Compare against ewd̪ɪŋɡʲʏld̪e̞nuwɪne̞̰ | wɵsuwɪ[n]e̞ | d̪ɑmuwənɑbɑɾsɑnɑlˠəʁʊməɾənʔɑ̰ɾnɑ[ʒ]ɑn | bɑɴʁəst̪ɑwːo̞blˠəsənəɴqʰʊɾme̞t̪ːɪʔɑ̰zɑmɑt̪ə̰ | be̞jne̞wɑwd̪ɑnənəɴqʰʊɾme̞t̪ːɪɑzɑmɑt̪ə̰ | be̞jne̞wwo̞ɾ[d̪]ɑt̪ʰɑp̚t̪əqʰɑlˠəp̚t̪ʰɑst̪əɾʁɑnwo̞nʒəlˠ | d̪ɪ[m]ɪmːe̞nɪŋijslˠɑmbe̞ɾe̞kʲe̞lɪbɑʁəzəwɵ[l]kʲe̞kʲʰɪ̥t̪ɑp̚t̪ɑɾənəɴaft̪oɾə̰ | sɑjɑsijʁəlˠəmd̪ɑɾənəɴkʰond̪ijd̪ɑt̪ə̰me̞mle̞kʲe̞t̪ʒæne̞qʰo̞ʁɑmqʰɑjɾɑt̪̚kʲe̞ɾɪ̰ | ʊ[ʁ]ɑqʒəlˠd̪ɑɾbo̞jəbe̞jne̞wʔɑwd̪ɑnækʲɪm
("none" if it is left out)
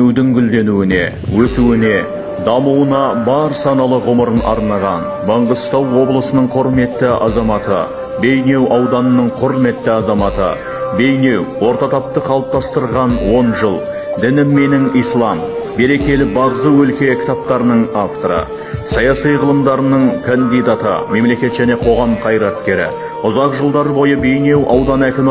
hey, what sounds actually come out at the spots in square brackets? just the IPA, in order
n, ʁ, t̪, n, l, z

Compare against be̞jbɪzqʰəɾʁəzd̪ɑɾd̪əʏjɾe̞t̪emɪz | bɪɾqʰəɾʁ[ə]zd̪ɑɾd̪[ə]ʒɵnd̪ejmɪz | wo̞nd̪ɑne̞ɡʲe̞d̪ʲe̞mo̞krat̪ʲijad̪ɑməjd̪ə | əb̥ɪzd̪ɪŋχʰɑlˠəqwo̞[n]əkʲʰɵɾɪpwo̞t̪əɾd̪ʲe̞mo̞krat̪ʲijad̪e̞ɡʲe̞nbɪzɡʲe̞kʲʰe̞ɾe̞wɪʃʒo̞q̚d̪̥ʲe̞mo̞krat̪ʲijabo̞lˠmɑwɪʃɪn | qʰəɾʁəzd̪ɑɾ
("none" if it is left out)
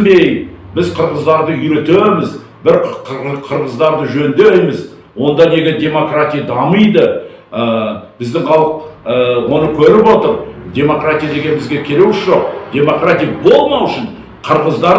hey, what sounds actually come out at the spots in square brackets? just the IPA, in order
ə, ə, n

